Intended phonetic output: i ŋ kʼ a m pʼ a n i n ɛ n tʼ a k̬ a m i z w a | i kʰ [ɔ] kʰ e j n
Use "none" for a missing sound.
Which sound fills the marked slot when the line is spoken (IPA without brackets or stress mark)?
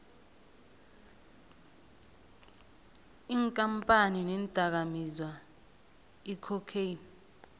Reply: ɔ